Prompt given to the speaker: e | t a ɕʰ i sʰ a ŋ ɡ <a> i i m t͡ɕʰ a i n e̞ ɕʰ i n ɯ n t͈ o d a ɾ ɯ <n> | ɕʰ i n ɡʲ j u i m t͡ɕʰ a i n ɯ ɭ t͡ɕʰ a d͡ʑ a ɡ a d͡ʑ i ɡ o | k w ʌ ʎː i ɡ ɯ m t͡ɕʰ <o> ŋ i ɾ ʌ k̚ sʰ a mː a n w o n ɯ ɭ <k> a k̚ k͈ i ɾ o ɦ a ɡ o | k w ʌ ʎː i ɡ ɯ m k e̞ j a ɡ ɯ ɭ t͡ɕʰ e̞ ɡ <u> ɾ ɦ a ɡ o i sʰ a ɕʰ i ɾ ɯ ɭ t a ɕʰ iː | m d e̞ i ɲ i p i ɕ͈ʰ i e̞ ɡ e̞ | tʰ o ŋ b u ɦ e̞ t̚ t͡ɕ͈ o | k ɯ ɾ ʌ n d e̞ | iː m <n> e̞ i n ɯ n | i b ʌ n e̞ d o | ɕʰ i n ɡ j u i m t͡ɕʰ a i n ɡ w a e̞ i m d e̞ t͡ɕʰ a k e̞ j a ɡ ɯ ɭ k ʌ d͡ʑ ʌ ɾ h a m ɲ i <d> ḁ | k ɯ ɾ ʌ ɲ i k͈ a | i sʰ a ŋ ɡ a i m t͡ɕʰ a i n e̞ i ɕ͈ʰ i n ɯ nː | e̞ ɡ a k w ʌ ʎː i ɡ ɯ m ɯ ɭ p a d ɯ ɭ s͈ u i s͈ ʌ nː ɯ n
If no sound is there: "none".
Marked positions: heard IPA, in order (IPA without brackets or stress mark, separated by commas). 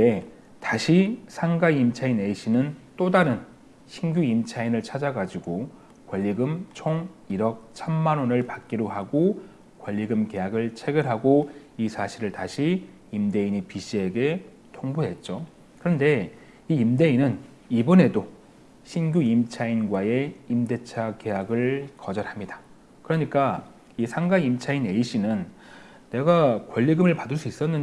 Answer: a, n, o, p, ɯ, d, d